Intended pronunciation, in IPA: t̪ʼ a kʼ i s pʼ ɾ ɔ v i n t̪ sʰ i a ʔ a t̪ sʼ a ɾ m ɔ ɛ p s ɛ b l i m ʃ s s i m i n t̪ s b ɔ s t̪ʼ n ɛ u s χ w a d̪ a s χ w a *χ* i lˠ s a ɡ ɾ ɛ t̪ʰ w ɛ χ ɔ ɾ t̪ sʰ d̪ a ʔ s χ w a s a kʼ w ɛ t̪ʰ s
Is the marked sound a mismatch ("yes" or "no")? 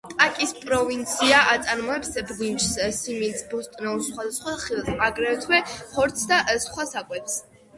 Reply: no